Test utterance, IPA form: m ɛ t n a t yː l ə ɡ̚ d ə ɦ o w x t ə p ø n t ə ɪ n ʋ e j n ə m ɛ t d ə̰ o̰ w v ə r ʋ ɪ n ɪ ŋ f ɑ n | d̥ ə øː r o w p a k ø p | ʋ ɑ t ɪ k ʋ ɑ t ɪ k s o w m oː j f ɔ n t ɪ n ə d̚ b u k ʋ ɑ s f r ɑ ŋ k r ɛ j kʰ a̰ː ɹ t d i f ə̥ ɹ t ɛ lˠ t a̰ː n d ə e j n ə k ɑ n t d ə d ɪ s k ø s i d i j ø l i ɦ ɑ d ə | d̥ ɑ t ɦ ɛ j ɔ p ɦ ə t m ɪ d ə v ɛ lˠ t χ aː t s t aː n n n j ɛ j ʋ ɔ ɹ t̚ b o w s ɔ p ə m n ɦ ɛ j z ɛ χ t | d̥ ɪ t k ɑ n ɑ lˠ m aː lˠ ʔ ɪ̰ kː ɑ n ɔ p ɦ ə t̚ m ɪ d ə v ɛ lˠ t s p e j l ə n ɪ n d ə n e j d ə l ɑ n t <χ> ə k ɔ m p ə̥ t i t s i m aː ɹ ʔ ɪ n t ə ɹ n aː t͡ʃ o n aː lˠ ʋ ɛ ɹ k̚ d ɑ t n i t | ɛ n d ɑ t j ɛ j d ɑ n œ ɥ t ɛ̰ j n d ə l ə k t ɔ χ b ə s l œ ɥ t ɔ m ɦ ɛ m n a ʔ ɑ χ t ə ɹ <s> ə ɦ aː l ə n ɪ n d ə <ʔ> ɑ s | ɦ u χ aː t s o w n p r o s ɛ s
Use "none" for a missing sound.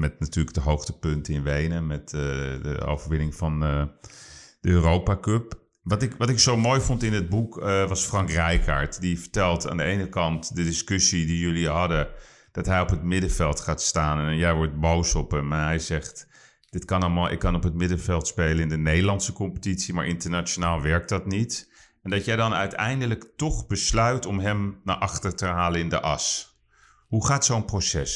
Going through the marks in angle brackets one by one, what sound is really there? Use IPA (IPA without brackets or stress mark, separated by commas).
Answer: s, t, ʔ